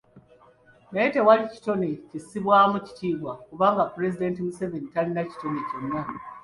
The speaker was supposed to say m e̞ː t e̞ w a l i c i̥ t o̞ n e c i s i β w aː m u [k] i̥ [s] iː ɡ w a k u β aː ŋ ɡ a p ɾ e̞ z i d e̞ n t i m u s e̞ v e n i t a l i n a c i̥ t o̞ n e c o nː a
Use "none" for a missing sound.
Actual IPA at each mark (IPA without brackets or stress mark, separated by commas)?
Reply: c, t